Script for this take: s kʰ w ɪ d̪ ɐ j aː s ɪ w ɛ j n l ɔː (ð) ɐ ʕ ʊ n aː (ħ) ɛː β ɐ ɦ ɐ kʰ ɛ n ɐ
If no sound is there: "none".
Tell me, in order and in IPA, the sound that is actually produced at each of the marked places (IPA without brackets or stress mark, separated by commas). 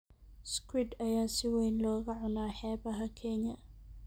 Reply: ɣ, ħ